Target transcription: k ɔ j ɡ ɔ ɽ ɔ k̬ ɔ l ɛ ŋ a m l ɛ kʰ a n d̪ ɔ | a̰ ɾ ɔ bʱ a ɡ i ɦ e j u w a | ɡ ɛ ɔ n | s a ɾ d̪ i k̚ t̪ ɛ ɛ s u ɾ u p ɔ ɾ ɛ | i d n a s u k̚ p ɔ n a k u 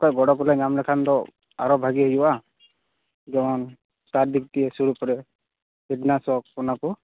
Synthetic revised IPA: k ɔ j ɡ ɔ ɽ ɔ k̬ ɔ l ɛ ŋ a m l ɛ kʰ a n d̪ ɔ | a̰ ɾ ɔ bʱ a ɡ i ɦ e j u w a | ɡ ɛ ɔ n | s a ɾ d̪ i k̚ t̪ i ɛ s u ɾ u p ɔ ɾ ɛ | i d n a s ɔ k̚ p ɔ n a k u